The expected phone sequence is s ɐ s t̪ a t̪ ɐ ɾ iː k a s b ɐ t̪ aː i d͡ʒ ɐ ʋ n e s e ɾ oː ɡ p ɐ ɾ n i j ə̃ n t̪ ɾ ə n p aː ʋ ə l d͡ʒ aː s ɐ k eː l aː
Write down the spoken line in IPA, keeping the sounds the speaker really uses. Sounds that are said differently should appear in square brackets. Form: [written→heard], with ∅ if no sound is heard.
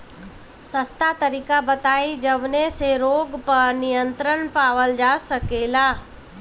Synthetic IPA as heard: s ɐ s t̪ a t̪ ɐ ɾ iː k a [s→∅] b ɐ t̪ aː i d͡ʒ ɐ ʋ n e s e ɾ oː ɡ p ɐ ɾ n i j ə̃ n t̪ ɾ ə n p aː ʋ ə l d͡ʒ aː s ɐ k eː l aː